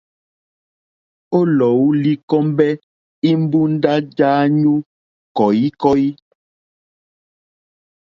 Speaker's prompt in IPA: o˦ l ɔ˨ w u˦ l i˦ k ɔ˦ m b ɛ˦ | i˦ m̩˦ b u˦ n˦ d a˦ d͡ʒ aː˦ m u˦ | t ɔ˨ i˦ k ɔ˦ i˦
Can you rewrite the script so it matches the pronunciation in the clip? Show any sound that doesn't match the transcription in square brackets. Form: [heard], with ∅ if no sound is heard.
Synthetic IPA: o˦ l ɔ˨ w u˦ l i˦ k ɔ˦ m b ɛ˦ | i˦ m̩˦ b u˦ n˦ d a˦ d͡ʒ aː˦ [ɲ] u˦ | [k] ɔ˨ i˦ k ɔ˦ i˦